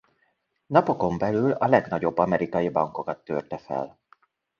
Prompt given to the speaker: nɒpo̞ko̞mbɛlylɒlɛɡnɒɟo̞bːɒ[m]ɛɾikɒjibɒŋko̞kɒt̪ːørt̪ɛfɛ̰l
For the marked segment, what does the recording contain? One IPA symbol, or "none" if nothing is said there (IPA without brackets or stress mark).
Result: m